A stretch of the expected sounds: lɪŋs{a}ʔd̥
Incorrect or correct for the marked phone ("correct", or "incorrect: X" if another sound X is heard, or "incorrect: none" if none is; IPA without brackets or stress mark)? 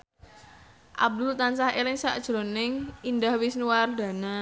correct